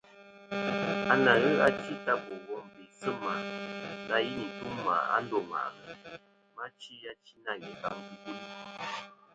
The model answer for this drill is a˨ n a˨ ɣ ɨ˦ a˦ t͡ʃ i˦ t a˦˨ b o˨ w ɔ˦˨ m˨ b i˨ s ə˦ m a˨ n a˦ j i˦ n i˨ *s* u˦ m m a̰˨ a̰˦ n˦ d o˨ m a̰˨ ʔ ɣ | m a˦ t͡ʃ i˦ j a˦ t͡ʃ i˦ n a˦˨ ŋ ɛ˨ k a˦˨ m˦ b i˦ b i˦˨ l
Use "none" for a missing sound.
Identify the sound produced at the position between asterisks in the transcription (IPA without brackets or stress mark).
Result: t